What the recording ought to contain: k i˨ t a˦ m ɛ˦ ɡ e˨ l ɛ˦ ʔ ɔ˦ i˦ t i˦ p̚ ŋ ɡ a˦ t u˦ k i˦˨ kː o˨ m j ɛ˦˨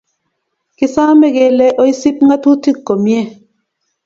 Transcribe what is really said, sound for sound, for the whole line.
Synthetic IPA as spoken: k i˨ s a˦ m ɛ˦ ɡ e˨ l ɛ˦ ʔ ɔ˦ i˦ s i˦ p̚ ŋ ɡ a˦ t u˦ t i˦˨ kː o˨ m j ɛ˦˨